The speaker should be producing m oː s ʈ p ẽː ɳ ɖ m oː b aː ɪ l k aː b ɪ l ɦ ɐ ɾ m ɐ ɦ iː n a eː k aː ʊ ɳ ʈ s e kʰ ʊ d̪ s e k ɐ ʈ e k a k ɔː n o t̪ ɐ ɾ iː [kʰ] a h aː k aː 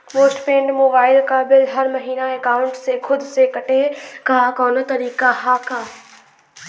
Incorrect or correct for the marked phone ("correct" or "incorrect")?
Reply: incorrect